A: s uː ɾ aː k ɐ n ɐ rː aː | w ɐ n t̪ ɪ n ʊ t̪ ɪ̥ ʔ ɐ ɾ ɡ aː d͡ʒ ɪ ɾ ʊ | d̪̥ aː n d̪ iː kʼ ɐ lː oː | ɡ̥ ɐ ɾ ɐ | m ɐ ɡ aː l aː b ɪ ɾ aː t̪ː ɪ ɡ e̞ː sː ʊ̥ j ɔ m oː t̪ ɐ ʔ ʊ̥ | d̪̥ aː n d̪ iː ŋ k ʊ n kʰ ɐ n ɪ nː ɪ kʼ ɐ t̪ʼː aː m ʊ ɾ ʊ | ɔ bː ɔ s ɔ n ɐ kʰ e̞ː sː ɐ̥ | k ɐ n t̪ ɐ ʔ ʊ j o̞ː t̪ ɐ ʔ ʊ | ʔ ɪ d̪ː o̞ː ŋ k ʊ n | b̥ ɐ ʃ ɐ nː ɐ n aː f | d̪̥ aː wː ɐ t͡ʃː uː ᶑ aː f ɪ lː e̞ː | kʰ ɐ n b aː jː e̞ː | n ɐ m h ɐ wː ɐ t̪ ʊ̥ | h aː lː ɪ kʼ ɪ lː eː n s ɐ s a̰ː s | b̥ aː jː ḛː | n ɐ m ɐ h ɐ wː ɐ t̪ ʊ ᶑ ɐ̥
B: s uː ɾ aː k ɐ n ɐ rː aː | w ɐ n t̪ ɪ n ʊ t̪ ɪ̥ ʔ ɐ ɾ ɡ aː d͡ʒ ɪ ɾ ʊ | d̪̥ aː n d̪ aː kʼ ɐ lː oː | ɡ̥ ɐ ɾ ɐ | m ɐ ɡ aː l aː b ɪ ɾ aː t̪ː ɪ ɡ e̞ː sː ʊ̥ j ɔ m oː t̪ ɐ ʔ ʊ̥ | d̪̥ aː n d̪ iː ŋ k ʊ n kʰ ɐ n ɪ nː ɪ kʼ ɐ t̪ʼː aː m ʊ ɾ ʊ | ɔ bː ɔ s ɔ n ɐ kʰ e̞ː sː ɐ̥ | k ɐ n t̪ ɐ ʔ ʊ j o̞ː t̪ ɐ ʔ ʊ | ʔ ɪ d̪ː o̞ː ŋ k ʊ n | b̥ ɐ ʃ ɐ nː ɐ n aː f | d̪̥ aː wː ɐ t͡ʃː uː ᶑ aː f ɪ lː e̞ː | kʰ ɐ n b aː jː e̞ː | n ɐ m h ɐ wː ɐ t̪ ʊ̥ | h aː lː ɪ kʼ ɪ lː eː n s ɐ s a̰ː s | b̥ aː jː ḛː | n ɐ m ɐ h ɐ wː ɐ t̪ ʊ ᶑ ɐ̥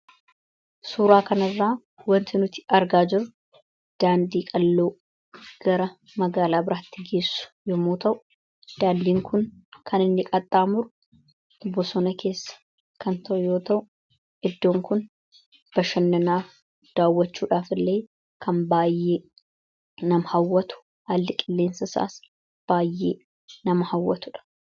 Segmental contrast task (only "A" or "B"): A